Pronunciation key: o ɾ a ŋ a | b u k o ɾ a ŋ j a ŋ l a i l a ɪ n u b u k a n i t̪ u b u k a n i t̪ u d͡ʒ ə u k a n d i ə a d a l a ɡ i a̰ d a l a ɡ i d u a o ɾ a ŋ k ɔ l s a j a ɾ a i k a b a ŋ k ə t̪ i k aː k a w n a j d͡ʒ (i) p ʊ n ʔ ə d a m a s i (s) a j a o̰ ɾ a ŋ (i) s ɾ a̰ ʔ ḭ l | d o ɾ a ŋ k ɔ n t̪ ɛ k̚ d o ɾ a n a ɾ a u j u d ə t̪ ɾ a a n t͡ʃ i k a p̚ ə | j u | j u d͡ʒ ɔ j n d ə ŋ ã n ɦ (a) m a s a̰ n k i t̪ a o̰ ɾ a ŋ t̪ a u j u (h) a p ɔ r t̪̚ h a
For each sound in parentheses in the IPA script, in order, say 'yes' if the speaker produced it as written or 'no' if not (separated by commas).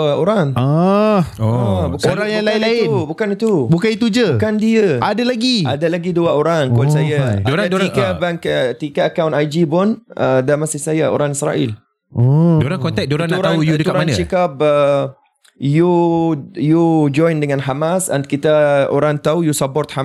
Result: yes, yes, yes, yes, no